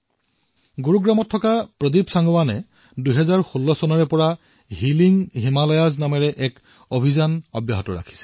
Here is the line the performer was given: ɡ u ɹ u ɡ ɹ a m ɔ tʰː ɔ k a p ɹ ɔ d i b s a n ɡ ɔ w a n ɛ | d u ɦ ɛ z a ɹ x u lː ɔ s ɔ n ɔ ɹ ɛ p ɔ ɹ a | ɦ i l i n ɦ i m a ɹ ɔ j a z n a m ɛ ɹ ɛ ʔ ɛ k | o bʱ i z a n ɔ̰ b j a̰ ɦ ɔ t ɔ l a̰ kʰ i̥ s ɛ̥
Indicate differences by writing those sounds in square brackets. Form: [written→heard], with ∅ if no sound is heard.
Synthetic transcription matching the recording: ɡ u ɹ u ɡ ɹ a m ɔ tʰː ɔ k a p ɹ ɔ d i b s a [n→ŋ] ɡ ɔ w a n ɛ | d u ɦ ɛ z a ɹ x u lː ɔ s ɔ n ɔ ɹ ɛ p ɔ ɹ a | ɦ i l i [n→ŋ] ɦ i m a [ɹ→l] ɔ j a z n a m ɛ ɹ ɛ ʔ ɛ k | o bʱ i z a n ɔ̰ b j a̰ ɦ ɔ t ɔ [l→ɹ] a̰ kʰ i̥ s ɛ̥